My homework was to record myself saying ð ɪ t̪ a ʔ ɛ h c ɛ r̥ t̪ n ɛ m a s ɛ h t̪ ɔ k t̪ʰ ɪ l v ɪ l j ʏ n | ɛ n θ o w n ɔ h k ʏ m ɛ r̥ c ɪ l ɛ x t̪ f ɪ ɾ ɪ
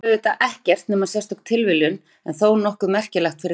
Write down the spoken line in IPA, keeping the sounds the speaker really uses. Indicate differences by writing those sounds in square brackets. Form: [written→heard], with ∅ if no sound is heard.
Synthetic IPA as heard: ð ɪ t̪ a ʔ ɛ h c ɛ r̥ t̪ n ɛ m a s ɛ [h→s] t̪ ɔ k t̪ʰ ɪ l v ɪ l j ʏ n | ɛ n θ o w n ɔ h k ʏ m ɛ r̥ c ɪ l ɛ x t̪ f ɪ ɾ ɪ